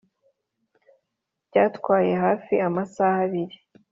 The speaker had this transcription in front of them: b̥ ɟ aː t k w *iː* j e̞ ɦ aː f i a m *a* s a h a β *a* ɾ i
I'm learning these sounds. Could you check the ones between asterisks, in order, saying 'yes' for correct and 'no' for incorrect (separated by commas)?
no, yes, no